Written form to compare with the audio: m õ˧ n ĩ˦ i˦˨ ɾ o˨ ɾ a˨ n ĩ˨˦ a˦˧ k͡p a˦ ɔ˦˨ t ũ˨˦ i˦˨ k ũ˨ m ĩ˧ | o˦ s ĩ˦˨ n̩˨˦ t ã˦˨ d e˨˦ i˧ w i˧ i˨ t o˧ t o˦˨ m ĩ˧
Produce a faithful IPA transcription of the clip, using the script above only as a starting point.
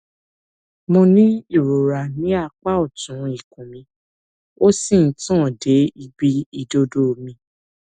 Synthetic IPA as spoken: m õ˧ n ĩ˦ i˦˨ ɾ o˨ ɾ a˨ n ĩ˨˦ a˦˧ k͡p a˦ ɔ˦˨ t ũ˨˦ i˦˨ k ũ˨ m ĩ˧ | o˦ s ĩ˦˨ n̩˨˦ t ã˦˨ d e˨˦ i˧ b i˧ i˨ d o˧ d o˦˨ m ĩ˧